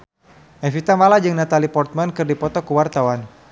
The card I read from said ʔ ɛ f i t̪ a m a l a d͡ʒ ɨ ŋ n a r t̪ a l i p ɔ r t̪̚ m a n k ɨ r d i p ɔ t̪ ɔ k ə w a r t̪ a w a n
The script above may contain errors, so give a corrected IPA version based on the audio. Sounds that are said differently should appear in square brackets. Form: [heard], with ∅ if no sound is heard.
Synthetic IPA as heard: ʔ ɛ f i t̪ a m a l a d͡ʒ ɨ ŋ n a [∅] t̪ a l i p ɔ r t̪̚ m a n k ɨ r d i p ɔ t̪ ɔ k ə w a r t̪ a w a n